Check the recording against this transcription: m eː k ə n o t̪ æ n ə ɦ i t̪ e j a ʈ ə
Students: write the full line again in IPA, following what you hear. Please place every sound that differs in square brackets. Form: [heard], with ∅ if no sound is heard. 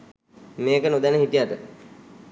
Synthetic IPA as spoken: m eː k ə n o [d̪] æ n ə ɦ i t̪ [i] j a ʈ ə

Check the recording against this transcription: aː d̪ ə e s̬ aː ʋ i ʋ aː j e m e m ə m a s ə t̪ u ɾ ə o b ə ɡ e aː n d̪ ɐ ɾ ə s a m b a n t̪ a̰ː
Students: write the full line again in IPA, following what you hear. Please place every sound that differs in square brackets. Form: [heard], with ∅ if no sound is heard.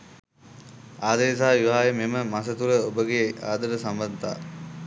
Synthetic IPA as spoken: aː d̪ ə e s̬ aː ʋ i ʋ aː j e m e m ə m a s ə t̪ u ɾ ə o b ə ɡ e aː [∅] d̪ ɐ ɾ ə s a m b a n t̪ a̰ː

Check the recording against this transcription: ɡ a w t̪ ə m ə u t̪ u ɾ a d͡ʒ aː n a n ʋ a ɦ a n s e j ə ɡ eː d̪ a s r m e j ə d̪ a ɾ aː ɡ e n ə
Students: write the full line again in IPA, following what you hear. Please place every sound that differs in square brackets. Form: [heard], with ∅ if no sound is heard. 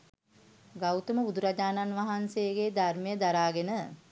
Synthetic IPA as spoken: ɡ a w t̪ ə m ə u [d̪] u ɾ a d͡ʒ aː n a n ʋ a ɦ a n s e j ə ɡ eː d̪ a [∅] r m e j ə d̪ a ɾ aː ɡ e n ə

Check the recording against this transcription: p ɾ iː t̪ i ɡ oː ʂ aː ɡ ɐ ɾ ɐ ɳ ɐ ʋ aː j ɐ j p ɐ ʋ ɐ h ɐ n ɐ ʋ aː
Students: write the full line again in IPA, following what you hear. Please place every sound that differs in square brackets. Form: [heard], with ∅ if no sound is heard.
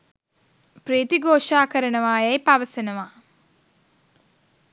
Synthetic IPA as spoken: p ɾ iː t̪ i ɡ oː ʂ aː [k] ɐ ɾ ɐ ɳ ɐ ʋ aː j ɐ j p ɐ ʋ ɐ [s] ɐ n ɐ ʋ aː

